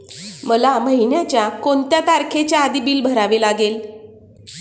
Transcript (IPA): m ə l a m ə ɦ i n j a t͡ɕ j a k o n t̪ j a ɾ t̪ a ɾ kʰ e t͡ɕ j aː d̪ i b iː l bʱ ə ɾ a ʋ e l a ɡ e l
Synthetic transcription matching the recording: m ə l a m ə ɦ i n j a t͡ɕ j a k o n t̪ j a t̪ a ɾ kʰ e t͡ɕ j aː d̪ i b iː l bʱ ə ɾ a ʋ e l a ɡ e l

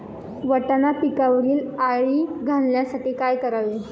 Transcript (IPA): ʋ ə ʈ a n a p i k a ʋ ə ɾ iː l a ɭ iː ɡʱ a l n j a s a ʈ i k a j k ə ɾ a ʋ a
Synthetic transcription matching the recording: ʋ ə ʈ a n a p i k a ʋ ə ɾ iː l a ɭ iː ɡʱ a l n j a s a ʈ iː k a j k ə ɾ a ʋ e

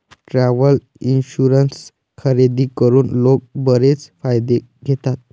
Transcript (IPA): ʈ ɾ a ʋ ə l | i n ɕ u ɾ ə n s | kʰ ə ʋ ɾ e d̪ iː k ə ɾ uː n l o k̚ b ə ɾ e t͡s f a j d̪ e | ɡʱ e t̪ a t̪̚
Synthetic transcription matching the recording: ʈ ɾ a ʋ ə l | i n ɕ u ɾ ə n s | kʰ ə ɾ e d̪ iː k ə ɾ uː n l o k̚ b ə ɾ e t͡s f a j d̪ e | ɡʱ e t̪ a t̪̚

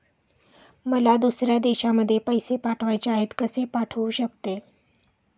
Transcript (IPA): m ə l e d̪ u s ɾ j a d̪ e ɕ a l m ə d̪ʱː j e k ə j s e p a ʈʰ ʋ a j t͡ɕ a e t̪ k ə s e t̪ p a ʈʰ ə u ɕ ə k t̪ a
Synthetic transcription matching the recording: m ə l a d̪ u s ɾ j a d̪ e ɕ a m ə d̪ʱː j e p ə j s e p a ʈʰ ʋ a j t͡ɕ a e t̪ k ə s e p a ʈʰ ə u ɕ ə k t̪ e

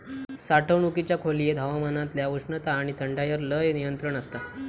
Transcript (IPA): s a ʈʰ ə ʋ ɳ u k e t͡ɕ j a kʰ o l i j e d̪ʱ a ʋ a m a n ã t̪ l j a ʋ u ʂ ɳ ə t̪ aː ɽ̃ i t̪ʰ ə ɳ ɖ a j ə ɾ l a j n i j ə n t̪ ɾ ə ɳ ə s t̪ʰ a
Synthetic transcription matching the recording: s a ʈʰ ə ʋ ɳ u k i t͡ɕ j a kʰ o l i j e d̪ʱ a ʋ a m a n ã t̪ l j a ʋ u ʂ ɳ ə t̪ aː ɽ̃ i t̪ʰ ə ɳ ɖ a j ə ɾ l ə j n i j ə n t̪ ɾ ə ɳ ə s t̪ a

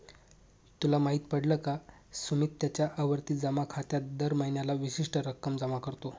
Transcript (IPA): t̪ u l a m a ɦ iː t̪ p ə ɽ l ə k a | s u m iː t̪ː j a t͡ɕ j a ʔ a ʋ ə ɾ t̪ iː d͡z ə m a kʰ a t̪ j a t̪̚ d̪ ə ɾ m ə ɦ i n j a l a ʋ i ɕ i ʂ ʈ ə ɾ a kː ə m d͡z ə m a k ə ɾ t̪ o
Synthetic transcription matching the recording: t̪ u l a m a ɦ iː t̪ p ə ɽ l ə k a | s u m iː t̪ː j a t͡ɕ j a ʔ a ʋ ə ɾ t̪ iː d͡z ə m a kʰ a t̪ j a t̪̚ d̪ ə ɾ m ə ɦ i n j a l a ʋ i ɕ i ʂ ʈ ə ɾ ə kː ə m d͡z ə m a k ə ɾ t̪ o

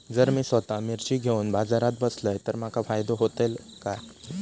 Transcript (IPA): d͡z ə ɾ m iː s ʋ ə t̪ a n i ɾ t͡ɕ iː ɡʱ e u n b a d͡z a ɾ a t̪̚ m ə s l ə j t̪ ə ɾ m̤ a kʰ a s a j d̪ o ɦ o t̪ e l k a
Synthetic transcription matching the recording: d͡z ə ɾ m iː s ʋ ə t̪ a m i ɾ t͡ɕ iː ɡʱ e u n b a d͡z a ɾ a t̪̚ b ə s l ə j t̪ ə ɾ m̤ a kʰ a f a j d̪ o ɦ o t̪ e l k a

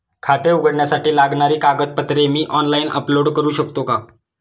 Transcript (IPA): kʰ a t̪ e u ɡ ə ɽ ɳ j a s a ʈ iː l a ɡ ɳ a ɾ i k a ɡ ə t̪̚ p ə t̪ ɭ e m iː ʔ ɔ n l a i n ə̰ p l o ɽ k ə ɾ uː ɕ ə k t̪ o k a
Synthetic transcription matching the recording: kʰ a t̪ e u ɡ ə ɽ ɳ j a s a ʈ iː l a ɡ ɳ a ɾ iː k a ɡ ə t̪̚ p ə t̪ ɾ e m iː ʔ ɔ n l a i n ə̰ p l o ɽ k ə ɾ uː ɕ ə k t̪ o k a

